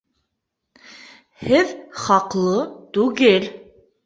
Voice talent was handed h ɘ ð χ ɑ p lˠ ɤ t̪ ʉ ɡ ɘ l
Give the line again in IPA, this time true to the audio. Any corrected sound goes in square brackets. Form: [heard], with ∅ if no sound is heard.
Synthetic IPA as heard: h ɘ ð χ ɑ [q] lˠ ɤ t̪ ʉ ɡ ɘ l